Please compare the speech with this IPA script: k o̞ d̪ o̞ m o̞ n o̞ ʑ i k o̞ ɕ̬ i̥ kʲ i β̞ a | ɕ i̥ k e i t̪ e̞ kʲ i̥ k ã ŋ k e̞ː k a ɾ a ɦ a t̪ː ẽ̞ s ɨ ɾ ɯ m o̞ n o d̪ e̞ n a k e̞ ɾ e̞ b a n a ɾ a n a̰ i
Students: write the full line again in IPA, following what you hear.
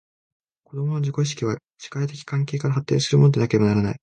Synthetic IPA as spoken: k o̞ d̪ o̞ m o̞ n o̞ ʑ i k o̞ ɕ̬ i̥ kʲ i β̞ a | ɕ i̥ k a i t̪ e̞ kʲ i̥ k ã ŋ k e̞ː k a ɾ a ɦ a t̪ː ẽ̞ s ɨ ɾ ɯ m o̞ n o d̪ e̞ n a k e̞ ɾ e̞ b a n a ɾ a n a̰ i